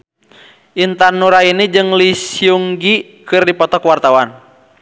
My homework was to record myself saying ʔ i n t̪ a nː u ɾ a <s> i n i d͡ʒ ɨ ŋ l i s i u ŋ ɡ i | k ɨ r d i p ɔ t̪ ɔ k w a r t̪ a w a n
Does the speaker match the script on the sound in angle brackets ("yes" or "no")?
no